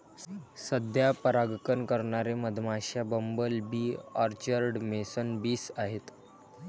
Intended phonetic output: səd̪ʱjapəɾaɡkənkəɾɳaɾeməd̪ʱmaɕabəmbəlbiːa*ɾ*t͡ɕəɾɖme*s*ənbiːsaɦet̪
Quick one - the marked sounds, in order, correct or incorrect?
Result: correct, correct

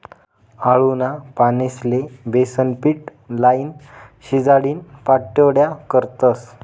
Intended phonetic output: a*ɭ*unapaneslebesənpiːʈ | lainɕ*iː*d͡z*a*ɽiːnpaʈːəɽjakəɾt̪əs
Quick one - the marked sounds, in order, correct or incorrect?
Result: correct, incorrect: i, correct

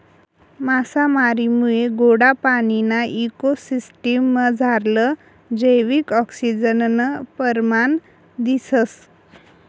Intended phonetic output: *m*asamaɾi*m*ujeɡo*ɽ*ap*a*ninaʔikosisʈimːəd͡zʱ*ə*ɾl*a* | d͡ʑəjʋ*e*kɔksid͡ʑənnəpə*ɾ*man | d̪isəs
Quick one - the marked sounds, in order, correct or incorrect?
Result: correct, correct, correct, correct, incorrect: a, incorrect: ə, incorrect: i, correct

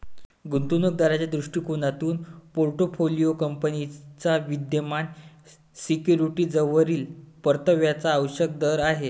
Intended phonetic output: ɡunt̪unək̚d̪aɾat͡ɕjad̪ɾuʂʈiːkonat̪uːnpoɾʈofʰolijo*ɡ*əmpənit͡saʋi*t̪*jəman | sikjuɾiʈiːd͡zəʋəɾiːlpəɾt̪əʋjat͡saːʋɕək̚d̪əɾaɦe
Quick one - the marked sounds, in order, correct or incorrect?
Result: incorrect: k, incorrect: d̪

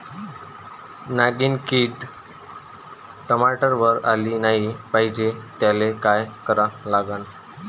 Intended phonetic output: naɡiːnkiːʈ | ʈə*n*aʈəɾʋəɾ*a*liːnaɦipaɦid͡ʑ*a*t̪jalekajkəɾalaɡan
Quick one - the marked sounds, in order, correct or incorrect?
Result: incorrect: m, correct, incorrect: e

